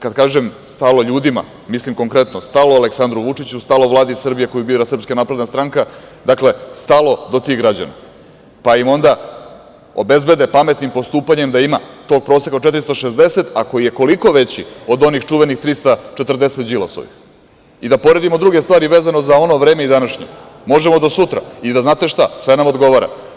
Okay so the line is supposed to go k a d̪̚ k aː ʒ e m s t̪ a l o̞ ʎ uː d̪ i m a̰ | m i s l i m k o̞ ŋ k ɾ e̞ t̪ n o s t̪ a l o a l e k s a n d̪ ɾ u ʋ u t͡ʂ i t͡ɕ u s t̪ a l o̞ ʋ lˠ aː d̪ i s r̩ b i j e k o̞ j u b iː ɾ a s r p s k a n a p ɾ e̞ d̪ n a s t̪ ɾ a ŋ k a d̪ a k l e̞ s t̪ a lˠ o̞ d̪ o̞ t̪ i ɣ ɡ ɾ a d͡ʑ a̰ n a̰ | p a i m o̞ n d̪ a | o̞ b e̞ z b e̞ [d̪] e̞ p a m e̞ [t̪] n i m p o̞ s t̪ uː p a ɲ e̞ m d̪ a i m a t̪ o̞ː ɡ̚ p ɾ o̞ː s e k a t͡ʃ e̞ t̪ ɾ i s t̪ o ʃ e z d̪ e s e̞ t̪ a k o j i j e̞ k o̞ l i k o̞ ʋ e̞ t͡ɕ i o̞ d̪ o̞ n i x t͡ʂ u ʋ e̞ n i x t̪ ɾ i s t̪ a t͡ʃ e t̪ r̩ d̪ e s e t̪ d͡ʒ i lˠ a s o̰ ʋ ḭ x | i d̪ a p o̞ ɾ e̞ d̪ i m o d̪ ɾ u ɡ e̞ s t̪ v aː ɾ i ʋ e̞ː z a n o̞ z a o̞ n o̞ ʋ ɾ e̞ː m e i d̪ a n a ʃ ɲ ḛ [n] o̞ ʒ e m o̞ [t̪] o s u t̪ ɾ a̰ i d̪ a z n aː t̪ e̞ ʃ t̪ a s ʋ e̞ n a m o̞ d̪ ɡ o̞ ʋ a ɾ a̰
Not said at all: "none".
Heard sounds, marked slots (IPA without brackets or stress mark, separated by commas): d̪, t̪, m, d̪